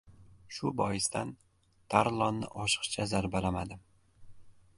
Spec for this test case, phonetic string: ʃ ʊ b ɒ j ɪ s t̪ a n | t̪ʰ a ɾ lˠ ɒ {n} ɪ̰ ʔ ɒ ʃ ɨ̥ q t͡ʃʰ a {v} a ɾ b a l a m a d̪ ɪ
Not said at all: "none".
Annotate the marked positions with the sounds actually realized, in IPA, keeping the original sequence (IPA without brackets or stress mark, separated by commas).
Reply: nː, z